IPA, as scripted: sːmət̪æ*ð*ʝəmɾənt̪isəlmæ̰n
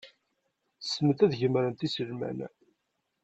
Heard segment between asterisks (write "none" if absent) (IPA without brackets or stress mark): ð